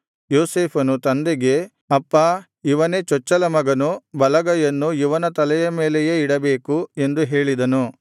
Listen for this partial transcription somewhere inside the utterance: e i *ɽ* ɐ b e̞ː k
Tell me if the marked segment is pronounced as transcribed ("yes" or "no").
yes